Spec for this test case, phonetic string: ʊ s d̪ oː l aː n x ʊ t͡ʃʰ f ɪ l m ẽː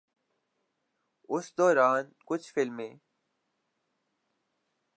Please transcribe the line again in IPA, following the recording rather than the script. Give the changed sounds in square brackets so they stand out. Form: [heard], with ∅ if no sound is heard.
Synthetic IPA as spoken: ʊ s d̪ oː [ɾ] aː n [k] ʊ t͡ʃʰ f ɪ l m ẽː